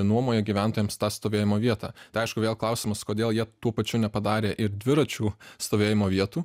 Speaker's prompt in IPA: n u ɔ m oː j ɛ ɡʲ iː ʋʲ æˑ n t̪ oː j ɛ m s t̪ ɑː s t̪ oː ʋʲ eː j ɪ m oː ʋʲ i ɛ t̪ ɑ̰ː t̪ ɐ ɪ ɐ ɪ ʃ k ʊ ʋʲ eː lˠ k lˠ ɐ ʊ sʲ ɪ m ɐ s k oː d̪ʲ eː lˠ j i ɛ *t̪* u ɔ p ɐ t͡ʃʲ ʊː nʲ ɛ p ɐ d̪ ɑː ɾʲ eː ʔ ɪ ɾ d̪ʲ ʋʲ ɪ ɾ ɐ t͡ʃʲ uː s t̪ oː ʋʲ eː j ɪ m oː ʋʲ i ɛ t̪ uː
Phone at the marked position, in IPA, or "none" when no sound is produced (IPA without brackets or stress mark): t̪